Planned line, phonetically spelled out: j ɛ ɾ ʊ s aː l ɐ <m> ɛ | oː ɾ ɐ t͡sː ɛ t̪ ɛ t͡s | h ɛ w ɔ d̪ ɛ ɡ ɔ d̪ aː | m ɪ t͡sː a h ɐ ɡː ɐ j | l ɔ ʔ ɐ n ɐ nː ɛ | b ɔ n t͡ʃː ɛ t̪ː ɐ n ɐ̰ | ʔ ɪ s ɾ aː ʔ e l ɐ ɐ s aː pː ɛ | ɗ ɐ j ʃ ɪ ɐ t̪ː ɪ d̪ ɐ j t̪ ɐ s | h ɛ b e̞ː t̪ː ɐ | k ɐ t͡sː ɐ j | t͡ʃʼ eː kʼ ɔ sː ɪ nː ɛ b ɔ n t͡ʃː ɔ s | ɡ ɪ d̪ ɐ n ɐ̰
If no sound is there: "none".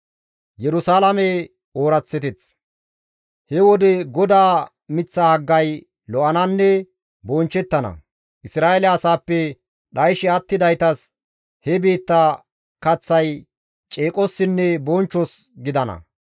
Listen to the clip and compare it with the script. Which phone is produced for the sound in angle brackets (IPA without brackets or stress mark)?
m